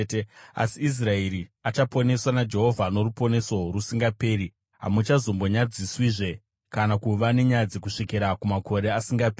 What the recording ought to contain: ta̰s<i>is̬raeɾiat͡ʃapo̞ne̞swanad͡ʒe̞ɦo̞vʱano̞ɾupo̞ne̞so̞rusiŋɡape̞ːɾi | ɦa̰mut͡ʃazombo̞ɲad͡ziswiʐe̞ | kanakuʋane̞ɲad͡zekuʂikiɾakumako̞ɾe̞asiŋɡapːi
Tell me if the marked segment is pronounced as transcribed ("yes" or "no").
yes